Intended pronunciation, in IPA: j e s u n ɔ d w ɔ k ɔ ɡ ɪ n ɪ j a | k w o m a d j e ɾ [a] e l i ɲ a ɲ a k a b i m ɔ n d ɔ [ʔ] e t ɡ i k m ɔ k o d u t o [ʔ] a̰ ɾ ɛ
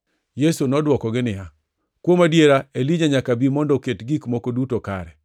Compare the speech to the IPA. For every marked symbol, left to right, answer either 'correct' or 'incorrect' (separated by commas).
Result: correct, incorrect, incorrect